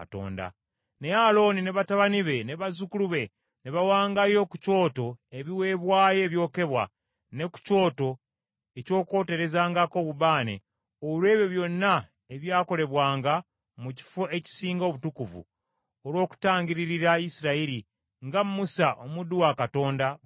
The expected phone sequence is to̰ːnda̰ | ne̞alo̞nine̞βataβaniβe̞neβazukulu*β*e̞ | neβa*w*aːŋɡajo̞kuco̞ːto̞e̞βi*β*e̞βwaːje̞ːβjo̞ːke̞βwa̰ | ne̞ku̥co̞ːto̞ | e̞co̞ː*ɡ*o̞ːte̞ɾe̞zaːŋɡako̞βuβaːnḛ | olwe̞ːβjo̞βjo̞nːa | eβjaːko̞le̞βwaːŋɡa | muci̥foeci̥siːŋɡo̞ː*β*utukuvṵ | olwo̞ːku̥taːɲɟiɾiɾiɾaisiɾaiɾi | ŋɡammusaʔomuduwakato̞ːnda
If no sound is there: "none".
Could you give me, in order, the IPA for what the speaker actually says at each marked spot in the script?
β, w, w, k, β

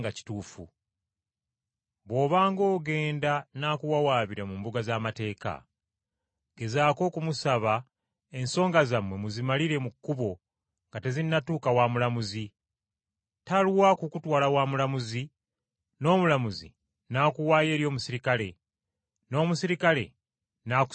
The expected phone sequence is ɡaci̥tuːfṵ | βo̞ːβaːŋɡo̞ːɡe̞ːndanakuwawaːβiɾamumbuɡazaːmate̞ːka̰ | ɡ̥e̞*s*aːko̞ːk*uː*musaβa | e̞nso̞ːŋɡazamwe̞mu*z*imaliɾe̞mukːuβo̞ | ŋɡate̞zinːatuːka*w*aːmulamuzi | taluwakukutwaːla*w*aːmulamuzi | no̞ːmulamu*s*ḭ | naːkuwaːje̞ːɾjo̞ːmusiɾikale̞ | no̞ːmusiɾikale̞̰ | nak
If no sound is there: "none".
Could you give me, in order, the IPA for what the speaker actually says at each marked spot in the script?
z, u, z, w, w, z

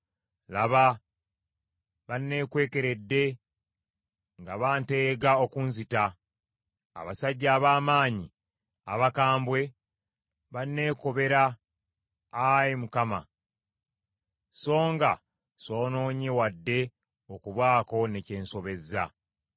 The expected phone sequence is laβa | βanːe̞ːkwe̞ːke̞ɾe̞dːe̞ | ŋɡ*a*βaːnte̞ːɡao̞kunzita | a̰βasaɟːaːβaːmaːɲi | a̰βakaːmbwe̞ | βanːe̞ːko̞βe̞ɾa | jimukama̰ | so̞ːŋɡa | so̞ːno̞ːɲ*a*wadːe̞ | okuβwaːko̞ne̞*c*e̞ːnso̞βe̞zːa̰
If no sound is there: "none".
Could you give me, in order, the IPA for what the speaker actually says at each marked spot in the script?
a, e, c

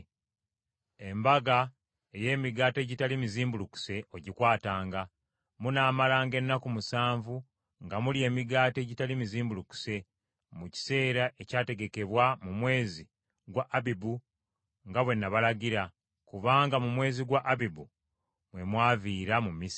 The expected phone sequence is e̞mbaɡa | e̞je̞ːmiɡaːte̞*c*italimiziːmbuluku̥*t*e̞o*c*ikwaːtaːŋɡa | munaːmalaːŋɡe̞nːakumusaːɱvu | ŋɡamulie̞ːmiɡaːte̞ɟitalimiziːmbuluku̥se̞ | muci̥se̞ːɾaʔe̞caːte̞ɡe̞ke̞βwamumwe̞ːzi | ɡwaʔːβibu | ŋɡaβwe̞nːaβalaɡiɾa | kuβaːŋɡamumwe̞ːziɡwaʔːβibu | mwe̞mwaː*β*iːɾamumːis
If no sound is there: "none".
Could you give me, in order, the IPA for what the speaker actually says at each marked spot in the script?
ɟ, s, ɟ, v

